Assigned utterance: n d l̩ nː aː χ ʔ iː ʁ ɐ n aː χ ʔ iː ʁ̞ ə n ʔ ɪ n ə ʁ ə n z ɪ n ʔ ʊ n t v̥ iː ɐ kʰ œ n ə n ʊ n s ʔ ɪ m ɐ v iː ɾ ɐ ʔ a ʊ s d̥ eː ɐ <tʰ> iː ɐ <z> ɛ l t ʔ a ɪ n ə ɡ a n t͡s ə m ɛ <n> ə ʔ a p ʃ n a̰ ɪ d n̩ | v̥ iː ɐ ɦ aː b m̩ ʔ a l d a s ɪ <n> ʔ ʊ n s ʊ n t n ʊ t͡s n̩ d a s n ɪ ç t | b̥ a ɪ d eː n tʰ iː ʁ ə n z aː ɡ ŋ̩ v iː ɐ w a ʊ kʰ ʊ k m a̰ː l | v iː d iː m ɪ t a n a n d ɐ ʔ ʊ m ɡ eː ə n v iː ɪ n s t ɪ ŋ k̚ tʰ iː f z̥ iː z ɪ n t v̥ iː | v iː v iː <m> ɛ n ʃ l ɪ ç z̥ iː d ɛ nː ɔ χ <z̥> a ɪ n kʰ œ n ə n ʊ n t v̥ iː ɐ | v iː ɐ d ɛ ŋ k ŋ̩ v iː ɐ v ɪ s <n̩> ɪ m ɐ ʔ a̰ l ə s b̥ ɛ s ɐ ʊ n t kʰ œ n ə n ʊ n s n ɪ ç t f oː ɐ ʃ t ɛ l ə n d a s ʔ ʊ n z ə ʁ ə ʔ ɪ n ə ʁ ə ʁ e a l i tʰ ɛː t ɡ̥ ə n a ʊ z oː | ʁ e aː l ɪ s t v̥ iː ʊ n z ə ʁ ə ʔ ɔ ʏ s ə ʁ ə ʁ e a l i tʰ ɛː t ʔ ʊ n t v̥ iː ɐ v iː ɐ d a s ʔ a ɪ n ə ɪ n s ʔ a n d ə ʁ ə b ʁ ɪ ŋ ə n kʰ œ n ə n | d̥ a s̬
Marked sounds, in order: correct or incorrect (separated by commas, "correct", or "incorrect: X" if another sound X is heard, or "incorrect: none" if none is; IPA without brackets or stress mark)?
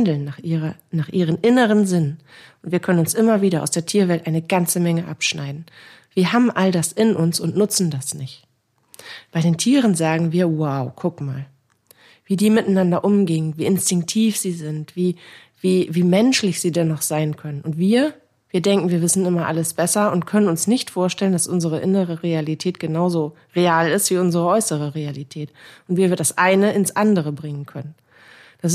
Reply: correct, incorrect: v, incorrect: ŋ, correct, correct, correct, correct